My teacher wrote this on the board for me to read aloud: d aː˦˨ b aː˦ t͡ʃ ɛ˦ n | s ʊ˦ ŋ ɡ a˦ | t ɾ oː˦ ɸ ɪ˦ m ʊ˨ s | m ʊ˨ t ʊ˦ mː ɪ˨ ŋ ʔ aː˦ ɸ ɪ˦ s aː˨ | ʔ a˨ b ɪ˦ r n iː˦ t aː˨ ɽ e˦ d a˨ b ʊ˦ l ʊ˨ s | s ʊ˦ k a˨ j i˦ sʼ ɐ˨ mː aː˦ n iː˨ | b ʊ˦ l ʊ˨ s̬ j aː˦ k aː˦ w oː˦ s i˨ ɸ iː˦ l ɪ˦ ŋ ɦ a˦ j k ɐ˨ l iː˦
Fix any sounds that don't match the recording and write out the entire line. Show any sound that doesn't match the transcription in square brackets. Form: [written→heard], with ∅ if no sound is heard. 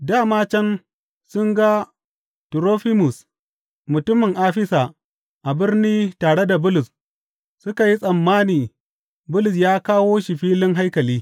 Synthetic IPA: d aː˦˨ [b→m] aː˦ t͡ʃ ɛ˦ n | s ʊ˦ ŋ ɡ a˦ | t ɾ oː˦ ɸ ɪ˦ m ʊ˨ s | m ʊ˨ t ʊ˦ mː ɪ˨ ŋ ʔ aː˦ ɸ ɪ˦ s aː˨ | ʔ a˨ b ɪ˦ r n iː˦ t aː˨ ɽ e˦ d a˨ b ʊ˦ l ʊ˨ s | s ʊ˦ k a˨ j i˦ sʼ ɐ˨ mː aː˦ n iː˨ | b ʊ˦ l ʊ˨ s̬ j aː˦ k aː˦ w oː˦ [s→ʃ] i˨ ɸ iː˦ l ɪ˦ ŋ ɦ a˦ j k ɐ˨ l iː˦